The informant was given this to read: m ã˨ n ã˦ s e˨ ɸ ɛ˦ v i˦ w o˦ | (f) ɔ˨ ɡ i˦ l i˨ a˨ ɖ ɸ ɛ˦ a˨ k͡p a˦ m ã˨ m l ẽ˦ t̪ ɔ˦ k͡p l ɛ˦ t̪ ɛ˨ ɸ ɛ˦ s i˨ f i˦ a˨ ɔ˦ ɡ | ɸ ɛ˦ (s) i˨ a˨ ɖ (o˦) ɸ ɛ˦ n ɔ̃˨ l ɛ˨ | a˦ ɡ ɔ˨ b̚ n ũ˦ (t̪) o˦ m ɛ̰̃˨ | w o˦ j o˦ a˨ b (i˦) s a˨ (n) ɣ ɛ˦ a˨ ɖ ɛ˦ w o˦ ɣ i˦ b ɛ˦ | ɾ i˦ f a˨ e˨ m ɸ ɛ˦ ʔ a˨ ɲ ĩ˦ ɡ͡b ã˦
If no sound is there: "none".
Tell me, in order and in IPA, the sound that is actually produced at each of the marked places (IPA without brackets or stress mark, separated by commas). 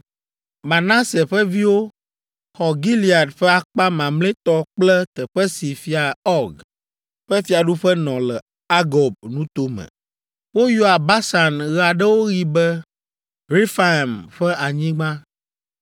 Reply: x, f, u˦, t̪, a˦, n